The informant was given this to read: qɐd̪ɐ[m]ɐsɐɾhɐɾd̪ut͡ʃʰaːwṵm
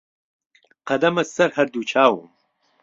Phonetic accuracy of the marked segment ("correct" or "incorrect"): correct